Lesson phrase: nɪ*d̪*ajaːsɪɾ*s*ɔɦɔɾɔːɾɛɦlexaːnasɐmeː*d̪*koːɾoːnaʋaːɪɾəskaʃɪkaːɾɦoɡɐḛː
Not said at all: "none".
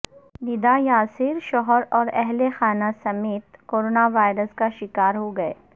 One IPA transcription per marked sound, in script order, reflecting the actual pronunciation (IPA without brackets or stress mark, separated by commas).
d̪, ʃ, t̪